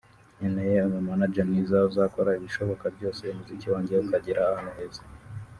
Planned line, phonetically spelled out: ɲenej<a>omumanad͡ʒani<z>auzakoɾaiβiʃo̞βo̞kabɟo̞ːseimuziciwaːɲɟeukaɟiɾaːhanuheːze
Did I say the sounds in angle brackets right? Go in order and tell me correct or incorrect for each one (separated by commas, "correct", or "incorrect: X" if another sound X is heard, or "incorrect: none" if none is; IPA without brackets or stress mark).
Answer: incorrect: e, correct